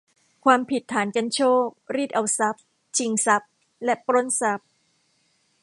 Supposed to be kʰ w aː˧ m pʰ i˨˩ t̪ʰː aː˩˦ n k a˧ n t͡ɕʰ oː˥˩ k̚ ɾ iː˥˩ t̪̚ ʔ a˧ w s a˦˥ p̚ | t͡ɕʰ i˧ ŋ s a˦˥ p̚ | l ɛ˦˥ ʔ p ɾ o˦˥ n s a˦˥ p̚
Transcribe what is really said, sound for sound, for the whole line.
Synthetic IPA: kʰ w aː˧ m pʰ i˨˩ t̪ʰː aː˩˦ n k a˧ n t͡ɕʰ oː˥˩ k̚ ɾ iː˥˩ t̪̚ ʔ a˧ w s a˦˥ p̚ | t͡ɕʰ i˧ ŋ s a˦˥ p̚ | l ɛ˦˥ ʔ p ɾ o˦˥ n s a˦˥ p̚

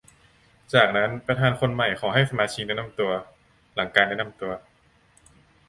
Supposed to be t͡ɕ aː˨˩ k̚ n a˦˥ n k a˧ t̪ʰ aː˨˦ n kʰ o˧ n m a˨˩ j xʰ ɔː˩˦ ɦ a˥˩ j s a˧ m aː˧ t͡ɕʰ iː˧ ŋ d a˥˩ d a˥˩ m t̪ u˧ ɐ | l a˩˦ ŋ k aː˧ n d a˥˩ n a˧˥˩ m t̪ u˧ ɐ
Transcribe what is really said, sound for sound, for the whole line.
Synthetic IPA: t͡ɕ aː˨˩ k̚ n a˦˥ n p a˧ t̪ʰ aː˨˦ n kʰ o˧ n m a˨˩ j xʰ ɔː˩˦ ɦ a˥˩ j s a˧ m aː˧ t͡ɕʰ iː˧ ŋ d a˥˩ n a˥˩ m t̪ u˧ ɐ | l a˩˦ ŋ k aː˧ n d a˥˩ n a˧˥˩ m t̪ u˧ ɐ

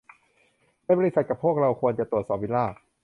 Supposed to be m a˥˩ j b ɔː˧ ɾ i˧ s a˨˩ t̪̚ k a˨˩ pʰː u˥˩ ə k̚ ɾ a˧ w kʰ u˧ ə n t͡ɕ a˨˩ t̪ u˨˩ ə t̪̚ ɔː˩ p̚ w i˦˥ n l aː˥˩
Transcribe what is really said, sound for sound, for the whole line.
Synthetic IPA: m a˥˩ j b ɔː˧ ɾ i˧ s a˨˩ t̪̚ k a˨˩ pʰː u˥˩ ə k̚ ɾ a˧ w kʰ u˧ ə n t͡ɕ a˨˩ t̪ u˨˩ ə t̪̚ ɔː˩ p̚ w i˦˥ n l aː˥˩

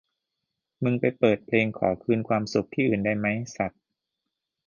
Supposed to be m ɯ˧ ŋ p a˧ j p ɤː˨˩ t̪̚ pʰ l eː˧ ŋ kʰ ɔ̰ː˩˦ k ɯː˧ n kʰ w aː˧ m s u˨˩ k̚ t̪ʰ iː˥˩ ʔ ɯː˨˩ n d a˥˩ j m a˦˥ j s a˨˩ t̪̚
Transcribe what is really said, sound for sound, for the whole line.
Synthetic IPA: m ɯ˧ ŋ p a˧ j p ɤː˨˩ t̪̚ pʰ l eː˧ ŋ kʰ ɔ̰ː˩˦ kʰ ɯː˧ n kʰ w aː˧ m s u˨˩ k̚ t̪ʰ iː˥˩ ʔ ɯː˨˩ n d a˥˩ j m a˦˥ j s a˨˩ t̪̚

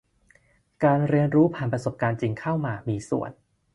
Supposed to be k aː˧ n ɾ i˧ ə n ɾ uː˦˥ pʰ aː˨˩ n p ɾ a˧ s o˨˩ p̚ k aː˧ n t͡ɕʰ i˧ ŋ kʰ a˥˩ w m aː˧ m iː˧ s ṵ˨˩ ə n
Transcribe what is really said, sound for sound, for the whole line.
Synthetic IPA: k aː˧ n ɾ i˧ ə n ɾ uː˦˥ pʰ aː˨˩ n p ɾ a˧ s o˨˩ p̚ k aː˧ n t͡ɕ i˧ ŋ kʰ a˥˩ w m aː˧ m iː˧ s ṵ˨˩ ə n

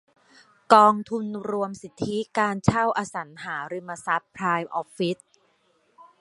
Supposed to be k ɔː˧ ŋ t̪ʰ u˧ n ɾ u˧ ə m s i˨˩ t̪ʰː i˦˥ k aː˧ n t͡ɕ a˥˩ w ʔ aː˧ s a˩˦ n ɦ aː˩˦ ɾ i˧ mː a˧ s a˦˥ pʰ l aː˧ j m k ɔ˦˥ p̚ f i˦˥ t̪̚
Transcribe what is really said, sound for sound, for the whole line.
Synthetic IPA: k ɔː˧ ŋ t̪ʰ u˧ n ɾ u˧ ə m s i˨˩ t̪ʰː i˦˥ k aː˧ n t͡ɕʰ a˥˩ w ʔ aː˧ s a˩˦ n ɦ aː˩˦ ɾ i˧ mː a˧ s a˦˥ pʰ ɾ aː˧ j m ʔ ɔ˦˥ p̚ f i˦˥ t̪̚

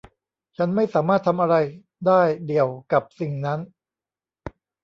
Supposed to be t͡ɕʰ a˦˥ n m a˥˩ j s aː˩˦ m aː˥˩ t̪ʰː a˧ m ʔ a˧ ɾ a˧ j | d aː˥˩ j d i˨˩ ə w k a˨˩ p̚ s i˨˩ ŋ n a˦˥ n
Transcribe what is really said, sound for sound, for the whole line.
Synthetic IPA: t͡ɕʰ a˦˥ n m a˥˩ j s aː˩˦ m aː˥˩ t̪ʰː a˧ m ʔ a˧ ɾ a˧ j | d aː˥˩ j d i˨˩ ə w k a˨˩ p̚ s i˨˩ ŋ n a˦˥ n

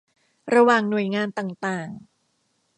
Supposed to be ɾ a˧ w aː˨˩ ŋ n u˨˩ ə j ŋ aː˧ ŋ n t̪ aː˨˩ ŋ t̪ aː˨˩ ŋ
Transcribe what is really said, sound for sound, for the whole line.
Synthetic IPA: ɾ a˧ w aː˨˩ ŋ n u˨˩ ə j ŋ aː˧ n t̪ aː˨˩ ŋ t̪ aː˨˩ ŋ

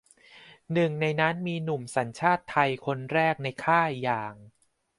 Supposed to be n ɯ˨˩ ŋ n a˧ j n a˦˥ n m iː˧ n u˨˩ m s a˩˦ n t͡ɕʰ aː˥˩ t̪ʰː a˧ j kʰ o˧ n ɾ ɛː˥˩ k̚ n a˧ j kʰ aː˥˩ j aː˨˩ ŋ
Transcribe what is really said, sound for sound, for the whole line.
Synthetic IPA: n ɯ˨˩ ŋ n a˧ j n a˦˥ n m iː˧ n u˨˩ m s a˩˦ n t͡ɕʰ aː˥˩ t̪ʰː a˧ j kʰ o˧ n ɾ ɛː˥˩ k̚ n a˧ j kʰ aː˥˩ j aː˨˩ ŋ

